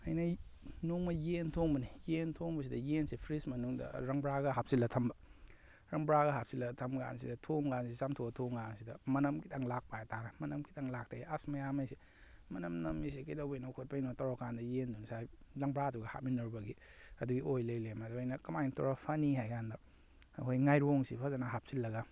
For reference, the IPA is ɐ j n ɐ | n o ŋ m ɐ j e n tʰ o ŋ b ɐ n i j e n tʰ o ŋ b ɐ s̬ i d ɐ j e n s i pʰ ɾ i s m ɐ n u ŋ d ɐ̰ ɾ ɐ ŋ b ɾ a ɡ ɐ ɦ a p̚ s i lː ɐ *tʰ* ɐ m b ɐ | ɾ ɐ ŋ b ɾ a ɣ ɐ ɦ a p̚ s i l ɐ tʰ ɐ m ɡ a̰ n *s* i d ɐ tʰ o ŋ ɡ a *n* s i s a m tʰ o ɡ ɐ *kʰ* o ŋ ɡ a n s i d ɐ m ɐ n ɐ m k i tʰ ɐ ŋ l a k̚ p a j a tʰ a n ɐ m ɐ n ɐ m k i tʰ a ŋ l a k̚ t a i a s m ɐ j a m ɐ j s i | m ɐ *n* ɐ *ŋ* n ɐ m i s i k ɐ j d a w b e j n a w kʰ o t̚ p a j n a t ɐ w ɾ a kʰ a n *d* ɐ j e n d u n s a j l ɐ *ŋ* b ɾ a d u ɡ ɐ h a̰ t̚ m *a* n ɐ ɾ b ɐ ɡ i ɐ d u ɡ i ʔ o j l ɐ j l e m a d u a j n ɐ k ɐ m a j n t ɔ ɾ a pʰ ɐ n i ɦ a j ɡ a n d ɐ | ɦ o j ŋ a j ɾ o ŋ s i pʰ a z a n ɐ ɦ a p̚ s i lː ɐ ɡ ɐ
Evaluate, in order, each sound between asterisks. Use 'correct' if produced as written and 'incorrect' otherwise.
correct, correct, correct, incorrect: tʰ, correct, incorrect: m, correct, correct, incorrect: i

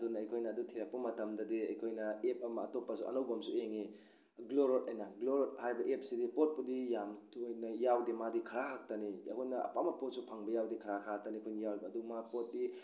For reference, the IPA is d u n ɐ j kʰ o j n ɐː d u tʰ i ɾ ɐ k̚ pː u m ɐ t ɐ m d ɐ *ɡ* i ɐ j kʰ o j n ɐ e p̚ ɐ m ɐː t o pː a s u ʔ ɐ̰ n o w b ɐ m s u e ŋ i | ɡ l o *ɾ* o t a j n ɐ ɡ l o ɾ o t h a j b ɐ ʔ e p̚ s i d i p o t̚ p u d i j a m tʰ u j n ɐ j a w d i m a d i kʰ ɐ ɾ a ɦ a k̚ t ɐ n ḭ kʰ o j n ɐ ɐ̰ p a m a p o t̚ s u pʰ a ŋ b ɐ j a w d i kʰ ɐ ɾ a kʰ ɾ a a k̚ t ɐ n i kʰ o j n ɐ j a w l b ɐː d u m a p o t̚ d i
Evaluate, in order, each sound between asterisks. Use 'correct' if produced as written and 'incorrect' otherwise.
incorrect: d, correct

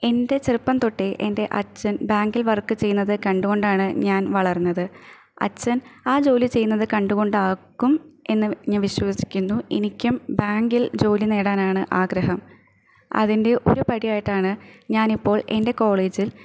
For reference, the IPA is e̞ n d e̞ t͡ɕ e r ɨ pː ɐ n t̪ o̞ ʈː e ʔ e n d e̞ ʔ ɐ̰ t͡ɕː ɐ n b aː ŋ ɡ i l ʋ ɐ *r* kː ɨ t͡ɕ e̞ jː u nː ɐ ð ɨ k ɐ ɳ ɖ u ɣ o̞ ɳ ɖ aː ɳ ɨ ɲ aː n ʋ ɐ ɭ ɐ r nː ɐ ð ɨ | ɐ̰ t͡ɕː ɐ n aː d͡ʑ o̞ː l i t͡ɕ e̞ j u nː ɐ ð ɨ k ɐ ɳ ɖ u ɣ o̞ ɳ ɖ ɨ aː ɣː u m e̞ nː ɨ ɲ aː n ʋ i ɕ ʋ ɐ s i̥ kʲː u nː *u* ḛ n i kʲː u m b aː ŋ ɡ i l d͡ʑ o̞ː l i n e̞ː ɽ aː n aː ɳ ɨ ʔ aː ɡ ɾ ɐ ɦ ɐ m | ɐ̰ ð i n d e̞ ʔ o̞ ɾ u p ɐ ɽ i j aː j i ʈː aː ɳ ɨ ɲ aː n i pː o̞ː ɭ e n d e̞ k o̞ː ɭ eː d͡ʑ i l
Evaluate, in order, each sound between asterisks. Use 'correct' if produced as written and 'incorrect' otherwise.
correct, correct

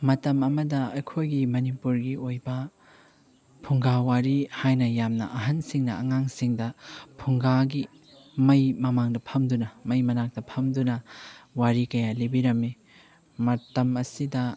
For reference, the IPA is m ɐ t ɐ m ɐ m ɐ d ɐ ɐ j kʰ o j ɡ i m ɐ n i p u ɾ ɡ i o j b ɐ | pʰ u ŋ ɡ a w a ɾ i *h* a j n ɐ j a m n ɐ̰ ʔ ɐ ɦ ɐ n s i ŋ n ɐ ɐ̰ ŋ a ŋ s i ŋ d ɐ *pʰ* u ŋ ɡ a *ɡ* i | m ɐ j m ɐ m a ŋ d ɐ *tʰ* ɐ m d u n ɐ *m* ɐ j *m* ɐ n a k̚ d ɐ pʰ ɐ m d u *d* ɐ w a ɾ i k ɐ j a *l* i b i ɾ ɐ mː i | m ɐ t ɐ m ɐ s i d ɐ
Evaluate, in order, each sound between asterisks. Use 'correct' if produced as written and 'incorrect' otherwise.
correct, correct, correct, incorrect: pʰ, correct, correct, incorrect: n, correct

